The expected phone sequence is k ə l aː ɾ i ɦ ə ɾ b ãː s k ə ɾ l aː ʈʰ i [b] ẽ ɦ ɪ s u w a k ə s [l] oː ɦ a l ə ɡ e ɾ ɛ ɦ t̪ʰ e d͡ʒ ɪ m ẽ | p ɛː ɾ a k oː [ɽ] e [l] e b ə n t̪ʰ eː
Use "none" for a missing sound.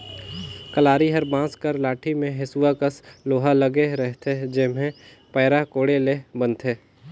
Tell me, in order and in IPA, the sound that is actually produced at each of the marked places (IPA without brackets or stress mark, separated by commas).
m, l, ɽ, l